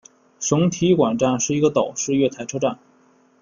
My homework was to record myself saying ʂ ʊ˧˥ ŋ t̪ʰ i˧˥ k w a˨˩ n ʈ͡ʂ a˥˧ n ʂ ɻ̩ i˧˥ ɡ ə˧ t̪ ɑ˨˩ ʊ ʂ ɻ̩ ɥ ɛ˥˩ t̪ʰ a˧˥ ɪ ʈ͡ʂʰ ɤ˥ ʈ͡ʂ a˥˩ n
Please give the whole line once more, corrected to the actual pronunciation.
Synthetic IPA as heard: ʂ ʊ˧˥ ŋ t̪ʰ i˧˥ k w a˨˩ n ʈ͡ʂ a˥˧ n ʂ ɻ̩ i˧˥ ɡ ə˧ t̪ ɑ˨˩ ʊ ʂ ɻ̩ ɥ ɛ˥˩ t̪ʰ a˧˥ ɪ ʈ͡ʂʰ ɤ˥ ʈ͡ʂ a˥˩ n